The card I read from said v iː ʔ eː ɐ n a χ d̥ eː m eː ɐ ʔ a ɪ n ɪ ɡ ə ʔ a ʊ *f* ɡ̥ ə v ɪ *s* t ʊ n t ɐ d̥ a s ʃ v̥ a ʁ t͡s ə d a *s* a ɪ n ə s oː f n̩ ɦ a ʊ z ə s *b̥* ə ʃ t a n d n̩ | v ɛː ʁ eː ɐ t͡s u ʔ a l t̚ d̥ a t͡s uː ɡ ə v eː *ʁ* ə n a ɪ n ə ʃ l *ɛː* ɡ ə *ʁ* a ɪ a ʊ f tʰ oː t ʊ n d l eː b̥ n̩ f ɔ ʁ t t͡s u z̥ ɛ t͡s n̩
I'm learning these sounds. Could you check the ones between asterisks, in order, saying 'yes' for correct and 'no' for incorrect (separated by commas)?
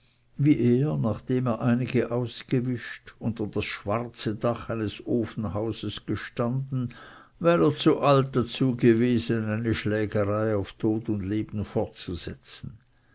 no, no, no, no, no, yes, yes